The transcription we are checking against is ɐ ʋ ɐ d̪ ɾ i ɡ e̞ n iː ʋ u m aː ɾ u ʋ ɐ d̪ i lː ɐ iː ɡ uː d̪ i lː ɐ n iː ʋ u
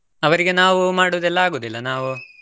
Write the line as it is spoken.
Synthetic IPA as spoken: ɐ ʋ ɐ ɾ i ɡ e̞ n aː ʋ u m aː ɽ u ʋ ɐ d̪ ɛ lː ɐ aː ɡ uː d̪ i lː ɐ n aː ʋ u